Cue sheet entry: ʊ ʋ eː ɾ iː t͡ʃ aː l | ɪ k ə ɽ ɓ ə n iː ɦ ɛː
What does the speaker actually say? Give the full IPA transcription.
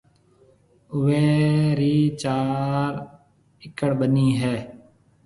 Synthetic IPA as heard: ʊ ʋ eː ɾ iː t͡ʃ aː ɾ | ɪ k ə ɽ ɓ ə n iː ɦ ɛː